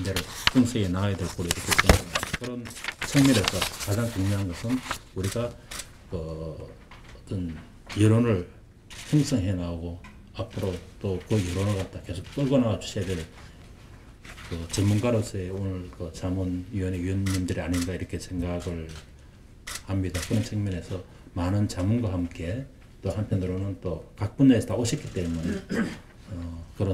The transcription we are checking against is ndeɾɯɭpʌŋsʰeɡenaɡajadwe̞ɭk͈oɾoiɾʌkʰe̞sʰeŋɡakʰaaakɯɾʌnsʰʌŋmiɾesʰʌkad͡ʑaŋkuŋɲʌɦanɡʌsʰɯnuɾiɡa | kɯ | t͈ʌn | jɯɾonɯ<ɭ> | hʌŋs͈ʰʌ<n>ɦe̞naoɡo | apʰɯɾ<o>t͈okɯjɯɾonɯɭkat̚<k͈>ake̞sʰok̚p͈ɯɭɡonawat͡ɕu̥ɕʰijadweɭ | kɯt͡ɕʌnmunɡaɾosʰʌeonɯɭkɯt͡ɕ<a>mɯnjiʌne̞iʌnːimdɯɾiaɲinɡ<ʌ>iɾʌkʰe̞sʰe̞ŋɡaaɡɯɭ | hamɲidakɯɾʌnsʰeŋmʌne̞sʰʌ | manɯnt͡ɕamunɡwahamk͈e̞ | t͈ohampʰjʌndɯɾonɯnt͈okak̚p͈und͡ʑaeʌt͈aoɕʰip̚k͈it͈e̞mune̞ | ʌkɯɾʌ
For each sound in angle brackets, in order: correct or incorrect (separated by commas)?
correct, incorrect, correct, incorrect, correct, incorrect